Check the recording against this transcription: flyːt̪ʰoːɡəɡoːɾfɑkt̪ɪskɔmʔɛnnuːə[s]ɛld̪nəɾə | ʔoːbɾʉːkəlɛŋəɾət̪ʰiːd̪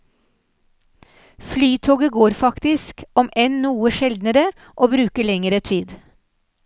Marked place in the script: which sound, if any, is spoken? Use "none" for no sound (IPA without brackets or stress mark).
ʃ